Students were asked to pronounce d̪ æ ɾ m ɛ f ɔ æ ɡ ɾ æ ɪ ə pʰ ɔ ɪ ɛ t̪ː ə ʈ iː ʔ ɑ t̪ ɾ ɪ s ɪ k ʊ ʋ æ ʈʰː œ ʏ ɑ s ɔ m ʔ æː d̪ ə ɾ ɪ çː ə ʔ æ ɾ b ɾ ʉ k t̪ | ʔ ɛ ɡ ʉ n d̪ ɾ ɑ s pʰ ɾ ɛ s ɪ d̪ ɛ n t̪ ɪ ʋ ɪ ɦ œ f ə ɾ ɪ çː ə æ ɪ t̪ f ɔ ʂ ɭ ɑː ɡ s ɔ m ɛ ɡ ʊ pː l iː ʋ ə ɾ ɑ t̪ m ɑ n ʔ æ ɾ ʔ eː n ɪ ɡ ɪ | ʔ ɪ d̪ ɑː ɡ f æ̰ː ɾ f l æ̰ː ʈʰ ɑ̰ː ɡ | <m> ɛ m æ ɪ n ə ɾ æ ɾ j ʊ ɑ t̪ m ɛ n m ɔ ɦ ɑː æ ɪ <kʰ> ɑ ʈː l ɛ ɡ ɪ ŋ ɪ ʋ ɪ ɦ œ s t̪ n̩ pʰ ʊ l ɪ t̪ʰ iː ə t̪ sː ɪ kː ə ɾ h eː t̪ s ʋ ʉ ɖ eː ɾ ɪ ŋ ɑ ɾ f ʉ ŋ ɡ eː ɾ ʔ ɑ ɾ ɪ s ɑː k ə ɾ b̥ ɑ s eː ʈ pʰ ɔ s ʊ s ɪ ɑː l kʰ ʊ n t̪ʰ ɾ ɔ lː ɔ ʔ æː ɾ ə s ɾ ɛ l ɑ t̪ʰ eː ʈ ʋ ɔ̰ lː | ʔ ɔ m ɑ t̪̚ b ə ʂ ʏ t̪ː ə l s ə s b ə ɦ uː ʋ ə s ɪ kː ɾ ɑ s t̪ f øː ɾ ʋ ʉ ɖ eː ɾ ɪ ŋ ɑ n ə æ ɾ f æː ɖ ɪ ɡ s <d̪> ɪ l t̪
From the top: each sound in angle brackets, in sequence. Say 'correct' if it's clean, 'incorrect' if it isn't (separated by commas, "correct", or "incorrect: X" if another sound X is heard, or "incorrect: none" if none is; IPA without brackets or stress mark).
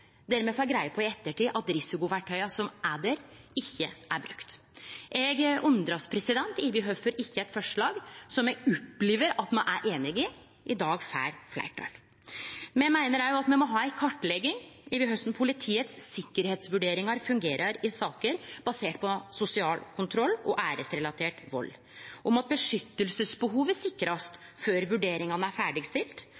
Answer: correct, correct, incorrect: t̪